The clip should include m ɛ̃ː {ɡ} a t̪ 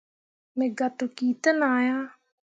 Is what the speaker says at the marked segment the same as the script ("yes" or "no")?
yes